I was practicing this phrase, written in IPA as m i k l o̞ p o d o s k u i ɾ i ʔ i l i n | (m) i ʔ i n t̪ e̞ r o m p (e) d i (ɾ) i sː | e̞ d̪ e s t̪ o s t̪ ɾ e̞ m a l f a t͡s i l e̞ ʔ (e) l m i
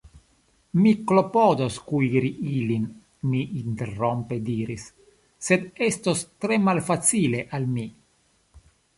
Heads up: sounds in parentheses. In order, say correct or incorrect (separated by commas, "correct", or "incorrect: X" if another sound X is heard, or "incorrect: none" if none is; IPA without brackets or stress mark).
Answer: correct, correct, correct, incorrect: a